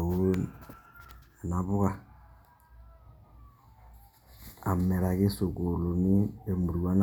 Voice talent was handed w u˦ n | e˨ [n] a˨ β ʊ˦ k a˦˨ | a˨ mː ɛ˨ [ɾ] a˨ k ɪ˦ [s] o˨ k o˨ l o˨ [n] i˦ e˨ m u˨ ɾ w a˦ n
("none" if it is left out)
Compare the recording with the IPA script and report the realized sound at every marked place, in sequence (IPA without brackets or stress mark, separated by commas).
n, ɾ, s, n